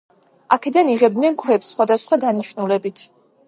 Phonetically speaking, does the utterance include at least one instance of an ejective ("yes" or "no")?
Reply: no